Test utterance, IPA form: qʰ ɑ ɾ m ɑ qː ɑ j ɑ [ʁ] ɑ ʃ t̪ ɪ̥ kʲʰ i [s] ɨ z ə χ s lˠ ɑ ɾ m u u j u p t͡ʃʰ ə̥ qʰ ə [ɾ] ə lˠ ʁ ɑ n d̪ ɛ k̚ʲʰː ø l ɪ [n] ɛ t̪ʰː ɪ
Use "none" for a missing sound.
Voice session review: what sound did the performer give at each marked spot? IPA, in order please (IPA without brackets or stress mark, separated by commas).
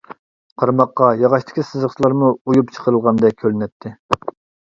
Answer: ʁ, s, ɾ, n